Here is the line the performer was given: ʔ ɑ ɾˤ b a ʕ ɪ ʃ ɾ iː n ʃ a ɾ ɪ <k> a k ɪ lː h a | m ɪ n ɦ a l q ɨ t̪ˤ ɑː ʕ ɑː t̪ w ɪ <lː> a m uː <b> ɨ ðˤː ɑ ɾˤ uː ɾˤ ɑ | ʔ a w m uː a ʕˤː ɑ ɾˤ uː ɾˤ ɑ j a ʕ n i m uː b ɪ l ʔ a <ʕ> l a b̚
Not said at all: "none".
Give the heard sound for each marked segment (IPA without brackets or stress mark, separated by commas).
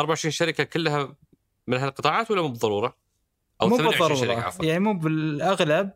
k, lː, b, ɣ